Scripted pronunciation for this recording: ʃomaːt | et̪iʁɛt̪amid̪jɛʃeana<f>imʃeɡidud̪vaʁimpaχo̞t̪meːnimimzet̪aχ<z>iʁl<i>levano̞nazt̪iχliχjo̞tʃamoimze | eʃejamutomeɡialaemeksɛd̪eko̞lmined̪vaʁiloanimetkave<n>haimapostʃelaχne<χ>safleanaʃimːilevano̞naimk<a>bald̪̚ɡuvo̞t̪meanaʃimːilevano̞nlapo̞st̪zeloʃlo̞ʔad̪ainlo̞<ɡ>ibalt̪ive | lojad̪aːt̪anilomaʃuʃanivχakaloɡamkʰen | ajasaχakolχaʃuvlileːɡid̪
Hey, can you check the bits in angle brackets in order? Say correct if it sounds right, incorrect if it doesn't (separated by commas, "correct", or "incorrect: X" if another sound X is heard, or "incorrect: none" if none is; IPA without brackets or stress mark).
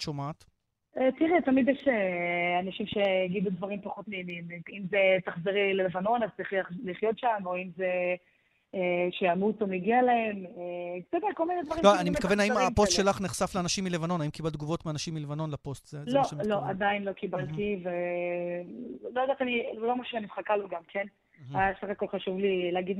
incorrect: ʃ, correct, incorrect: e, correct, correct, incorrect: i, incorrect: k